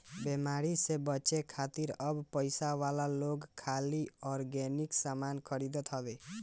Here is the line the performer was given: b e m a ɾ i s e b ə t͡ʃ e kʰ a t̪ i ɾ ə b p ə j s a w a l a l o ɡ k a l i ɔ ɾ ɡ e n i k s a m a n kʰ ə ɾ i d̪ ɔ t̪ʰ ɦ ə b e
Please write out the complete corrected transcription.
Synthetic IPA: b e m a ɾ i s e b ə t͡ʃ e kʰ a t̪ i ɾ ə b p ə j s a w a l a l o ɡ kʰ a l i ɔ ɾ ɡ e n i k s a m a n kʰ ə ɾ i d̪ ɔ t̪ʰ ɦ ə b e